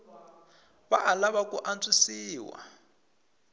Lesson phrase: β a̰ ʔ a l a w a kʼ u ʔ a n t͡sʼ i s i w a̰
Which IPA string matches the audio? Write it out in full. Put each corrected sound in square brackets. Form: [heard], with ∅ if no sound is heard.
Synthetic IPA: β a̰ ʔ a l a [β] a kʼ u ʔ a n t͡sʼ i s [iː] w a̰

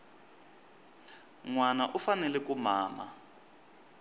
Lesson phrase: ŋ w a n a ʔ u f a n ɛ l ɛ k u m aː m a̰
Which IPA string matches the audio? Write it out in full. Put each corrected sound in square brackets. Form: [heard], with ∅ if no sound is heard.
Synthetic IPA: ŋ w a n a ʔ u f a n ɛ l ɛ k u m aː m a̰

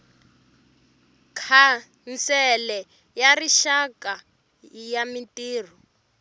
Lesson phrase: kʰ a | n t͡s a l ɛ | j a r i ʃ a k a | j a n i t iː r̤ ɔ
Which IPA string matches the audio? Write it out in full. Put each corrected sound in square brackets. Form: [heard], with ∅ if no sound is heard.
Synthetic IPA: kʰ a | n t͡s [ɛ] l ɛ | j a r i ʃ a k a | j a [m] i t iː r̤ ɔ

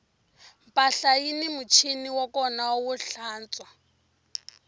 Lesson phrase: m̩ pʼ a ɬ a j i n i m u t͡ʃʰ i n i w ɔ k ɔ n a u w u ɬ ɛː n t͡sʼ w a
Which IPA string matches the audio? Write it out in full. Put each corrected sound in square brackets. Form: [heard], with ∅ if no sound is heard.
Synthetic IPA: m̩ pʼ a ɬ a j i n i m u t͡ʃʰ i n i w ɔ k ɔ n a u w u ɬ [aː] n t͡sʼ w a

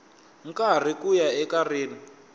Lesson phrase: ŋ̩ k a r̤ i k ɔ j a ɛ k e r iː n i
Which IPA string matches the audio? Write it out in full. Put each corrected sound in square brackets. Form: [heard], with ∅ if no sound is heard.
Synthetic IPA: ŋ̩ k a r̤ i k [u] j a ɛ k [a] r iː n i

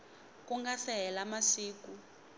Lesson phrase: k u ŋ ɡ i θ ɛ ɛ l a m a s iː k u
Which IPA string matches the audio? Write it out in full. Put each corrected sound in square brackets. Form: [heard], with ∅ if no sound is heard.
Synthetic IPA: k u ŋ ɡ [a] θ ɛ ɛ l a m a s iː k u

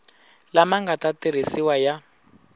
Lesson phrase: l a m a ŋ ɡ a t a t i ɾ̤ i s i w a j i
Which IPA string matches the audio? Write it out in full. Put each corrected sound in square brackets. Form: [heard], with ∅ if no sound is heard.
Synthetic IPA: l a m a ŋ ɡ a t a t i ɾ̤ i s i w a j [a]

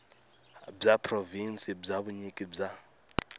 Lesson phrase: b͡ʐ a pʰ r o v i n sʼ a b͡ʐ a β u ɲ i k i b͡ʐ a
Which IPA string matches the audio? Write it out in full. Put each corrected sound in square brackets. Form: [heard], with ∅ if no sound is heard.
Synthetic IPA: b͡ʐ a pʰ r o v i n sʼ [i] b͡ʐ a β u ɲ i [kʼ] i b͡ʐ a

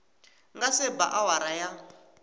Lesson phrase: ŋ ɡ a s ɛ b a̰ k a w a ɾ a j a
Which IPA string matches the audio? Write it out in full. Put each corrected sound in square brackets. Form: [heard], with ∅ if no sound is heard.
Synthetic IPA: ŋ ɡ a s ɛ b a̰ [ʔ] a w a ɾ a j a

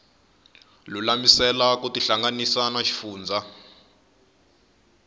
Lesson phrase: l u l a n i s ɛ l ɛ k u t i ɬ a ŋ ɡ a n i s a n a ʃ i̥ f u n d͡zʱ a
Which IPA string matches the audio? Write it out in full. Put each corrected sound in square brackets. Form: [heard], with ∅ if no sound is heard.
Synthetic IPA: l u l a [m] i s ɛ l [a] k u t i ɬ a ŋ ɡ a n i s a n a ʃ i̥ f [uː] n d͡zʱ a

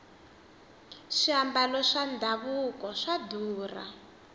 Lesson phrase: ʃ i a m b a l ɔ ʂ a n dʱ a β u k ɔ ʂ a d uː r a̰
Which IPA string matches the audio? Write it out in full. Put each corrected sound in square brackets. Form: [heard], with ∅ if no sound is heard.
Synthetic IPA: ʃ i a m b a l ɔ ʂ a n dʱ a β u k ɔ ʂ a d uː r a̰

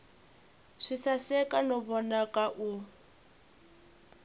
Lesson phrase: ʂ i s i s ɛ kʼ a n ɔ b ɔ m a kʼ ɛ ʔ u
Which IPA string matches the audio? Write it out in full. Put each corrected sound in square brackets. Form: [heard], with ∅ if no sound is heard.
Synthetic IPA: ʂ i s [a] s ɛ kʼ a n ɔ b ɔ [n] a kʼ [a] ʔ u

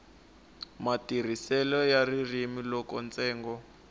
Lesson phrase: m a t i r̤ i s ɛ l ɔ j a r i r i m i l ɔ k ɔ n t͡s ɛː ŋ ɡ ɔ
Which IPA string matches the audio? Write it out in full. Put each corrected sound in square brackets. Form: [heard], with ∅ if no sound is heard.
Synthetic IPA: m a t i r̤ i s ɛ l ɔ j a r i r i m i l ɔ k ɔ n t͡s ɛː ŋ ɡ ɔ

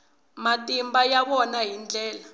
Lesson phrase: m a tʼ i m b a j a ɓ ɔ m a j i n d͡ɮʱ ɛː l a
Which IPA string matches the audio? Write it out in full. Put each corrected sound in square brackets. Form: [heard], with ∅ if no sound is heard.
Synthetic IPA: m a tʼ i m b a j a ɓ ɔ [n] a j i n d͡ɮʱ ɛː l a

